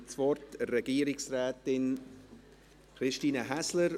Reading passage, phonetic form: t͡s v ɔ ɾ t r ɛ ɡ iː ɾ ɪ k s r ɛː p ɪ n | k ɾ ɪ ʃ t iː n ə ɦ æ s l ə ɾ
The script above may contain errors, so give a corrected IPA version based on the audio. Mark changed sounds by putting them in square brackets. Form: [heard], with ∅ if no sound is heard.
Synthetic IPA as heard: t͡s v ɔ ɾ t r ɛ ɡ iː ɾ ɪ k s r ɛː [t] ɪ n | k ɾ ɪ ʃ t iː n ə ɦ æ s l ə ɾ